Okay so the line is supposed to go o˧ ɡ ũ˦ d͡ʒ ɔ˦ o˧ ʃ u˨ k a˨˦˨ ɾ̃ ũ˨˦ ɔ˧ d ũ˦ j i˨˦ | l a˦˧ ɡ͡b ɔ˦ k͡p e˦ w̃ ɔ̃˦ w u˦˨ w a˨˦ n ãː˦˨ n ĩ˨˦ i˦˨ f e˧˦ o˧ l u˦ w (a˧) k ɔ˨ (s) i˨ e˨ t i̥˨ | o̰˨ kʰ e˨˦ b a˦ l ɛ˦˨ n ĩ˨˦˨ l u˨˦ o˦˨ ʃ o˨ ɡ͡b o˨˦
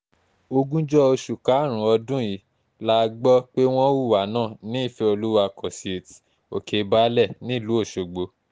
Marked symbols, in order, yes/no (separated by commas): yes, yes